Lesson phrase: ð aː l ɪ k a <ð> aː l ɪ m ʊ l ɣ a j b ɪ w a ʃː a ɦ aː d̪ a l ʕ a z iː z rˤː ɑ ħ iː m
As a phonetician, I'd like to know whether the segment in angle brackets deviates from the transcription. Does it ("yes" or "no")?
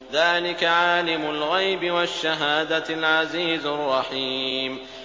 yes